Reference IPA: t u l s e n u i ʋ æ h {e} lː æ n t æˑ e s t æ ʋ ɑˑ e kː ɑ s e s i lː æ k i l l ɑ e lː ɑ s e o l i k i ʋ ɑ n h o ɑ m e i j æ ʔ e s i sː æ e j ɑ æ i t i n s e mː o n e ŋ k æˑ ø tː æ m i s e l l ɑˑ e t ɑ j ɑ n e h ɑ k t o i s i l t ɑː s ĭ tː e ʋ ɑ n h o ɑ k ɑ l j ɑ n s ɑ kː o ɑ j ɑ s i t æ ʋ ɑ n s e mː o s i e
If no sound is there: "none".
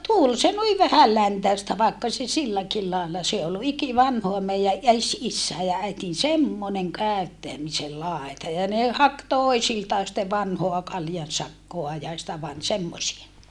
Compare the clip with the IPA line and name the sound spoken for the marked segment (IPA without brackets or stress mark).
æ